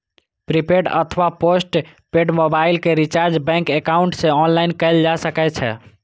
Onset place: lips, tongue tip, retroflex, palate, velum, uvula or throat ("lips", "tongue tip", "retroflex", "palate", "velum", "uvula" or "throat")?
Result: lips